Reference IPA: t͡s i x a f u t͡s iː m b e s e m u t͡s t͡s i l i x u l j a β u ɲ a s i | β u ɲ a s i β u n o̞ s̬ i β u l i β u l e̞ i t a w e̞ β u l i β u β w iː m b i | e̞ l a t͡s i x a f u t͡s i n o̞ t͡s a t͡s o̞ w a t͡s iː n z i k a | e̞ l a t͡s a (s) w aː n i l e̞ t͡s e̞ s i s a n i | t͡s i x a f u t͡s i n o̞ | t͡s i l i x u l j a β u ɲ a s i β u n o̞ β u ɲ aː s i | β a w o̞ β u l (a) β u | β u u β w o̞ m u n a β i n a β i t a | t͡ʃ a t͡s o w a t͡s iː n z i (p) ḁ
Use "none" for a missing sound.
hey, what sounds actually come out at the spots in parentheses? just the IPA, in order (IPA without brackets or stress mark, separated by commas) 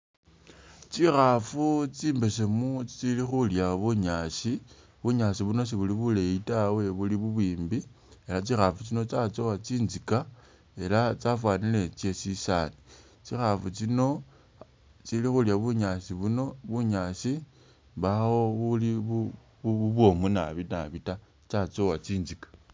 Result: f, i, k